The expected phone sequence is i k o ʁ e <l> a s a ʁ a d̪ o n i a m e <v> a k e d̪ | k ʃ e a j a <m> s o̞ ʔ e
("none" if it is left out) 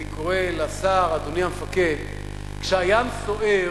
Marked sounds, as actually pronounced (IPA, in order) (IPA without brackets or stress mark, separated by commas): l, f, m